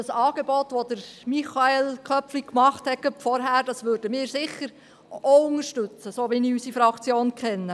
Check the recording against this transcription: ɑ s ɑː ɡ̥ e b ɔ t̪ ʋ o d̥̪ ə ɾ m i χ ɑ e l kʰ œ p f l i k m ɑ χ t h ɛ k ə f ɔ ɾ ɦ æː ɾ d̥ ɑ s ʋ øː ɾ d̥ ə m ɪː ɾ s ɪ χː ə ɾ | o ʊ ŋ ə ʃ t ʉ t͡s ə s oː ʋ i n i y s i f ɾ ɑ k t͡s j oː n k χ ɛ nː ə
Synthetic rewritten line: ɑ s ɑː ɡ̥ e b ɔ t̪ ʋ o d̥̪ ə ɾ m i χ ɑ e l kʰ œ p f l i k m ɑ χ t h ɛ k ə f ɔ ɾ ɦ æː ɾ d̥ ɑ s ʋ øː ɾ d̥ ə m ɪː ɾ s ɪ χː ə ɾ | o ʊ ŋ ə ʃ t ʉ t͡s ə s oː ʋ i n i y s i f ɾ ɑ k t͡s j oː n k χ ɛ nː ə